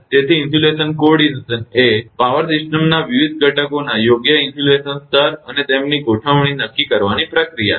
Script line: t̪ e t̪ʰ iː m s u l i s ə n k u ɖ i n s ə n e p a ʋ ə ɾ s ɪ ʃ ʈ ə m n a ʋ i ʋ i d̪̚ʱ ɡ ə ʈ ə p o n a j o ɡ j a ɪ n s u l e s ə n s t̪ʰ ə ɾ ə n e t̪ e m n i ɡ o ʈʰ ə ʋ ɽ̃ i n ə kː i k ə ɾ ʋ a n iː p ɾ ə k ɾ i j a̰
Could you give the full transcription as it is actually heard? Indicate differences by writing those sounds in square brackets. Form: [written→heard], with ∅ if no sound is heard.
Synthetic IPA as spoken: t̪ e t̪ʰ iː [m→n] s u l [i→e] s ə n k [u→o] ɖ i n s ə n e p a ʋ ə ɾ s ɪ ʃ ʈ ə m n a ʋ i ʋ i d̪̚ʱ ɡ ə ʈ ə [p→k] o n a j o ɡ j [a→ə] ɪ n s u l e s ə n s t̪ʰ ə ɾ ə n e t̪ e m n i ɡ o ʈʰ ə ʋ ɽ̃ i n ə kː i k ə ɾ ʋ a n [iː→i] p ɾ ə k ɾ i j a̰